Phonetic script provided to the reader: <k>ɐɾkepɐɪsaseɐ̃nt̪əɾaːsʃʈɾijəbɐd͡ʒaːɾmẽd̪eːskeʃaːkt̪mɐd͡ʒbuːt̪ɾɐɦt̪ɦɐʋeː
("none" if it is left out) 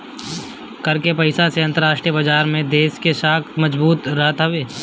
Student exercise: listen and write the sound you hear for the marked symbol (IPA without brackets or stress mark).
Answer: k